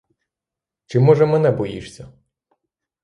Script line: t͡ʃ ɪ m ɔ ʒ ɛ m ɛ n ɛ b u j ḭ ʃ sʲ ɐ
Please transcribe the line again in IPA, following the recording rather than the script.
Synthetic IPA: t͡ʃ ɪ m ɔ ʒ ɛ m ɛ n ɛ b ɔ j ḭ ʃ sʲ ɐ